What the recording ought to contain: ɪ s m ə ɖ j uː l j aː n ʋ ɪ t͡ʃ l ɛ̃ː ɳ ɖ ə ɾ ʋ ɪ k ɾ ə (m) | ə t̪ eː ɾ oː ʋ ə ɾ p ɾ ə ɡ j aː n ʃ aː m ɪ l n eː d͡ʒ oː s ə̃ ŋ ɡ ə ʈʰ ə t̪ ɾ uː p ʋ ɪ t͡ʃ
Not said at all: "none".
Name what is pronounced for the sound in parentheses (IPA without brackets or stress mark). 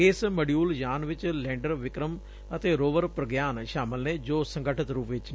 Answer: m